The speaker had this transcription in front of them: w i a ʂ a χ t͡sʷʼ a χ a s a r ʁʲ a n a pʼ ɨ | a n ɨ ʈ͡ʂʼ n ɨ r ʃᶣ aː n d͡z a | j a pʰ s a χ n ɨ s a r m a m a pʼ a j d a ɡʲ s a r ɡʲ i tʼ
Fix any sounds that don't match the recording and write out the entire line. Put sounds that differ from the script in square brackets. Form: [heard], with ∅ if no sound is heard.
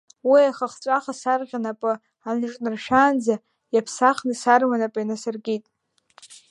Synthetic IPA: w i a [χ] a χ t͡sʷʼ a χ a s a r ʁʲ a n a pʼ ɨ | a n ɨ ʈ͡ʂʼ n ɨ r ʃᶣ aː n d͡z a | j a pʰ s a χ n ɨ s a r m a [n] a pʼ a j [n] a [∅] s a r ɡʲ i tʼ